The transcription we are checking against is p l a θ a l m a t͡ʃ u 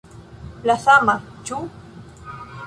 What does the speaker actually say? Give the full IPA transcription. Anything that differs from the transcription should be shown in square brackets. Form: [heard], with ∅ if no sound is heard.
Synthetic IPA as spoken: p l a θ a [∅] m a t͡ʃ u

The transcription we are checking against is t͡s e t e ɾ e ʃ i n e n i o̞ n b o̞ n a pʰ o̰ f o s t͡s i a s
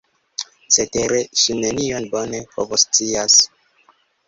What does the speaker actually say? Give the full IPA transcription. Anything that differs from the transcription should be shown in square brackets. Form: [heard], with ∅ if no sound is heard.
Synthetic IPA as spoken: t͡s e t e ɾ e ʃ i n e n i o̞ n b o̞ n [e] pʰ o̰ [v] o s t͡s i a s

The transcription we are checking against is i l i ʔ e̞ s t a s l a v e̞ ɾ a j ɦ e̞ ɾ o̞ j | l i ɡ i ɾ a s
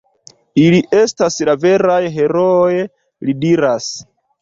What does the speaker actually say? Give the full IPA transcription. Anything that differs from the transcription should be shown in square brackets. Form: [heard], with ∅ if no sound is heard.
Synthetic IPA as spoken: i l i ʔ e̞ s t a s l a v e̞ ɾ a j ɦ e̞ ɾ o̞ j | l i [d] i ɾ a s

